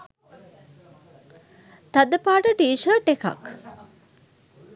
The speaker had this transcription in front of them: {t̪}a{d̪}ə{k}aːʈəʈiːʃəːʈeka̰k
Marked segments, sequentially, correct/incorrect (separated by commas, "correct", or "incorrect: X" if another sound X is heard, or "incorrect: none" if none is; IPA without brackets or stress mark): correct, correct, incorrect: p